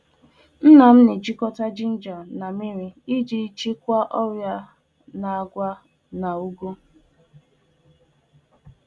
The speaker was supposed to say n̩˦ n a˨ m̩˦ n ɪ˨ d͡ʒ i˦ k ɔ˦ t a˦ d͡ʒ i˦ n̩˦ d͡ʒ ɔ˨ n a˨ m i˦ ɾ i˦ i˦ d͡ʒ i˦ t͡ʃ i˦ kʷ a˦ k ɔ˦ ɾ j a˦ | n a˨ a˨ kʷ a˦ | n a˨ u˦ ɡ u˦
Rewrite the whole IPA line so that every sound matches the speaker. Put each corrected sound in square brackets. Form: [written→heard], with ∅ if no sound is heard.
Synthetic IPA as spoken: n̩˦ n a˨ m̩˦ n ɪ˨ d͡ʒ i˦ k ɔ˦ t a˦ d͡ʒ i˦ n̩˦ d͡ʒ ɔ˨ n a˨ m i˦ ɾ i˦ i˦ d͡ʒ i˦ t͡ʃ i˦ kʷ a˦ [k→ʔ] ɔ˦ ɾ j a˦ | n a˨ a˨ [kʷ→ɡʷ] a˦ | n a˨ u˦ ɡ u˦